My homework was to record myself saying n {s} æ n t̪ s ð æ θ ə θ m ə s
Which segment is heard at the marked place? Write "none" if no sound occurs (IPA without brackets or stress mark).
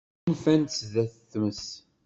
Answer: f